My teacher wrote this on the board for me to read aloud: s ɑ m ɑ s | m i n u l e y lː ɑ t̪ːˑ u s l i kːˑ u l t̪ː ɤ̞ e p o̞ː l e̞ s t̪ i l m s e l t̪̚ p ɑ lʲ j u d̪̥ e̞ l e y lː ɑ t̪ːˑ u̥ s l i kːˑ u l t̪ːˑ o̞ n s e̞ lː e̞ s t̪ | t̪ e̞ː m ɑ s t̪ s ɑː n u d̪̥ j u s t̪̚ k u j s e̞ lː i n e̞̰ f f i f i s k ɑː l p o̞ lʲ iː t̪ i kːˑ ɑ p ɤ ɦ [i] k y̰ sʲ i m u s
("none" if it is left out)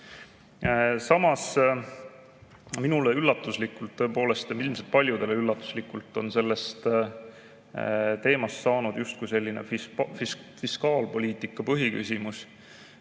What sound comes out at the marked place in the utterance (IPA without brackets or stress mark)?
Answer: i